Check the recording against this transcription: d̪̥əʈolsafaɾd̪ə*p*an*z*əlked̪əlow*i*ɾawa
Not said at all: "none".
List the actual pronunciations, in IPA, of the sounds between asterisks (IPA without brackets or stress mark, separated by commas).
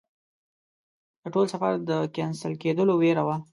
k, s, e